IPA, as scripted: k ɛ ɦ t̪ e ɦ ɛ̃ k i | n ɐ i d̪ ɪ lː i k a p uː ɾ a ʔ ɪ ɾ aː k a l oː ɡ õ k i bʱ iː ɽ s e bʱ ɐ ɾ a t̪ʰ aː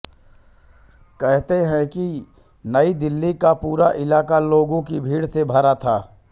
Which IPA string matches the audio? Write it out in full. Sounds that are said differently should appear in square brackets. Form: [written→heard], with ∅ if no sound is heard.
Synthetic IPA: k ɛ ɦ t̪ e ɦ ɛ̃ k i | n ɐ i d̪ ɪ lː i k a p uː ɾ a ʔ ɪ [ɾ→l] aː k a l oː ɡ õ k i bʱ iː ɽ s e bʱ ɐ ɾ a t̪ʰ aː